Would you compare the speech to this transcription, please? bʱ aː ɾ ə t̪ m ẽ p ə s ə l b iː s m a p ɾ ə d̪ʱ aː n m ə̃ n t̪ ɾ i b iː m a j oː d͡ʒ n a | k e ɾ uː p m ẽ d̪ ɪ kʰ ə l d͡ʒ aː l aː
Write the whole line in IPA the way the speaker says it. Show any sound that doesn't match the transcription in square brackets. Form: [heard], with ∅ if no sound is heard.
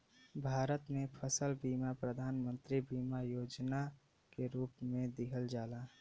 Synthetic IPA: bʱ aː ɾ ə t̪ m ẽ [pʰ] ə s ə l b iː [∅] m a p ɾ ə d̪ʱ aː n m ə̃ n t̪ ɾ i b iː m a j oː d͡ʒ n a | k e ɾ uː p m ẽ d̪ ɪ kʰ ə l d͡ʒ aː l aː